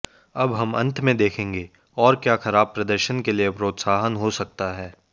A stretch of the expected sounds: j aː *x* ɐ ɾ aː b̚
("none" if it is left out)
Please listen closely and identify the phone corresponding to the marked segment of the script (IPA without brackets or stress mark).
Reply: x